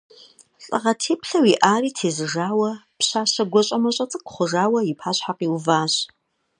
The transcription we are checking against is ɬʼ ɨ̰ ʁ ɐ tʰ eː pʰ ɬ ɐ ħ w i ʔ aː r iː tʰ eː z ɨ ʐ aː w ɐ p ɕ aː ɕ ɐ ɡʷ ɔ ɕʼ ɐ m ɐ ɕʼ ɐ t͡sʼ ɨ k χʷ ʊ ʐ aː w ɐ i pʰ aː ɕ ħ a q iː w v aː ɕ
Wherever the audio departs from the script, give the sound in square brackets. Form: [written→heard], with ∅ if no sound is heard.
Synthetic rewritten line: ɬʼ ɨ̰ ʁ ɐ tʰ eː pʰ ɬ ɐ [ħ→∅] w i ʔ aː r iː tʰ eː z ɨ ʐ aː w ɐ p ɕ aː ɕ ɐ ɡʷ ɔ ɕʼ ɐ m ɐ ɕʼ ɐ t͡sʼ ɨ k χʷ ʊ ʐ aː w ɐ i pʰ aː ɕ ħ a q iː w v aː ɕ